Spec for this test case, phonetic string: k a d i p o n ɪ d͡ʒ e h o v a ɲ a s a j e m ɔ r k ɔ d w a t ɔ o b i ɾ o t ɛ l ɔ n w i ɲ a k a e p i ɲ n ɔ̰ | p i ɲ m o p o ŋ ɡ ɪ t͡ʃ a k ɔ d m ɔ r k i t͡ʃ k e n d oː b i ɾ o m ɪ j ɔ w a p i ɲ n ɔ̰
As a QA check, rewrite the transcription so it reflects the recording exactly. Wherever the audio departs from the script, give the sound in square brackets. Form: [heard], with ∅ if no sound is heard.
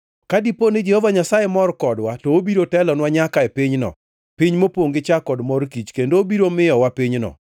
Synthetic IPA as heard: k a d i p o n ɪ d͡ʒ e h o v a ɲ a s a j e m ɔ r k ɔ d w a t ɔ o b i ɾ o t ɛ l ɔ n w [a] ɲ a k a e p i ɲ n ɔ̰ | p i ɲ m o p o ŋ ɡ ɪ t͡ʃ a k ɔ d m ɔ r k i t͡ʃ k e n d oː b i ɾ o m ɪ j ɔ w a p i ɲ n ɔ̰